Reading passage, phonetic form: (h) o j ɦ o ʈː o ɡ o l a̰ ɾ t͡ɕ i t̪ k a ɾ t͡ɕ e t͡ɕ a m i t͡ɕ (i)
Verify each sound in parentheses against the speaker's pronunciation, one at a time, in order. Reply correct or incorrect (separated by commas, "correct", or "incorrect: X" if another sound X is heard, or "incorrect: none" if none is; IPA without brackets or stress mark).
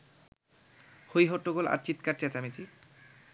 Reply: correct, correct